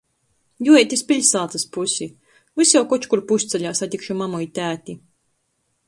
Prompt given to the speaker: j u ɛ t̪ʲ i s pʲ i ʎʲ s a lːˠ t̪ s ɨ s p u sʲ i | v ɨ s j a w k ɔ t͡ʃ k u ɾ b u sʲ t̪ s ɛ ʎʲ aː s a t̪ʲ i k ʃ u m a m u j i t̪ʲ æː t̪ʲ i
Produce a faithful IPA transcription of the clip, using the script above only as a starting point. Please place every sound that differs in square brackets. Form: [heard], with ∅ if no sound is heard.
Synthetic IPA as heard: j u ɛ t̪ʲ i s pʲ i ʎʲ s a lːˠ t̪ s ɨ s p u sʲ i | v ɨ s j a w k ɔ t͡ʃ k u ɾ [p] u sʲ t̪ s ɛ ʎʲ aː s a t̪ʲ i k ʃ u m a m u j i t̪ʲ æː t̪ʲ i